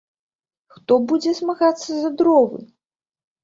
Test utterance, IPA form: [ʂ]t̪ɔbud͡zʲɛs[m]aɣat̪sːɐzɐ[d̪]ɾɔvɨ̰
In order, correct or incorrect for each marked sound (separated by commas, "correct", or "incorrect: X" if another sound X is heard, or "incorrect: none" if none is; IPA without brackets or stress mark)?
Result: incorrect: x, correct, correct